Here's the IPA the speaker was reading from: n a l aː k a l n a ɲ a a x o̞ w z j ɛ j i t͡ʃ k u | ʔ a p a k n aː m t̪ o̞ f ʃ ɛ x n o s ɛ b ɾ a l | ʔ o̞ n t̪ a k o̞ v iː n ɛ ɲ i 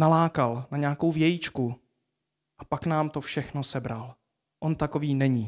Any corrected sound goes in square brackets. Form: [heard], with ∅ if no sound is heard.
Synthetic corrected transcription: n a l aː k a l n a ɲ [ɛ] a [k] o̞ w [v] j ɛ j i t͡ʃ k u | ʔ a p a k n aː m t̪ o̞ f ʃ ɛ x n o s ɛ b ɾ a l | ʔ o̞ n t̪ a k o̞ v iː n ɛ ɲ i